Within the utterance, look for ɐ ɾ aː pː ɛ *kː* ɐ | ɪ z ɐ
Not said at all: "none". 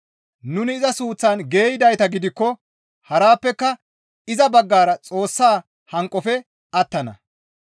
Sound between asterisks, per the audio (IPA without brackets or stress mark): kː